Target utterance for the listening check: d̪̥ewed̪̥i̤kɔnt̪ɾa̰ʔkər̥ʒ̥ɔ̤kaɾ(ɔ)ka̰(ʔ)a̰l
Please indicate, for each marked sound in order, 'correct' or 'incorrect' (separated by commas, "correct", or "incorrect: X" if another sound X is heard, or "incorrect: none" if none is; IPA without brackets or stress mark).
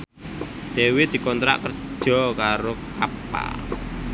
incorrect: o, incorrect: p